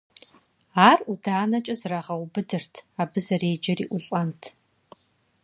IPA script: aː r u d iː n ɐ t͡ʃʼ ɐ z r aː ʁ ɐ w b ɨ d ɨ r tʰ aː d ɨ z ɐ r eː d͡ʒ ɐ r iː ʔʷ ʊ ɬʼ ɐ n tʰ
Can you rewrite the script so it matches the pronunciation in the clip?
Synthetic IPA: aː r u d aː n ɐ t͡ʃʼ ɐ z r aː ʁ ɐ w b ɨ d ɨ r tʰ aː b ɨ z ɐ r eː d͡ʒ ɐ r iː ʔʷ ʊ ɬʼ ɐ n tʰ